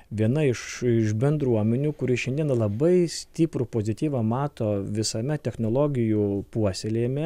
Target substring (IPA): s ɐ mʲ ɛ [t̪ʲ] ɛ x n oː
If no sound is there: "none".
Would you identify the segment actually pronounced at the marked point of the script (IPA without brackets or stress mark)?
t̪ʲ